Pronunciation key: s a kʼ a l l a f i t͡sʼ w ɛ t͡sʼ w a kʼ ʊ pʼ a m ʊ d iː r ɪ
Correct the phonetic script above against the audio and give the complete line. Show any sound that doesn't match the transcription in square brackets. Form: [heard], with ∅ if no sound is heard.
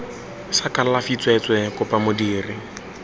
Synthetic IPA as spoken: s a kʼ a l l a f i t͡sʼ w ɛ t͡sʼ w [ɛ] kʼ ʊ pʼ a m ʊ d iː r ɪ